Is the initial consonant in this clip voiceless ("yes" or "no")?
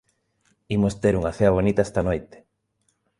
no